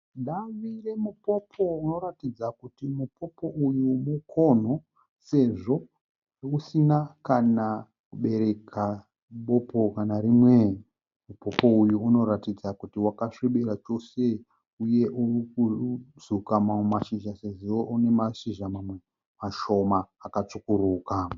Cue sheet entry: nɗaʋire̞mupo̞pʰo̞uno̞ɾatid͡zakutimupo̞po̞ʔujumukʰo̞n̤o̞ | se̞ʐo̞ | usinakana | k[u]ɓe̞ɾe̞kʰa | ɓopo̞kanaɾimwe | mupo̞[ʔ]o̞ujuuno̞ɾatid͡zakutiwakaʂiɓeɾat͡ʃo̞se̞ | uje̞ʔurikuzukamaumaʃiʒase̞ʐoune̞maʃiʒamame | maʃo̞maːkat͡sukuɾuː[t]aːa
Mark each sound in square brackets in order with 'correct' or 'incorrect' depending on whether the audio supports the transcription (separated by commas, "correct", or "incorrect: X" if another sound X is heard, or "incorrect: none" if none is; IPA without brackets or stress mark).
correct, incorrect: p, incorrect: k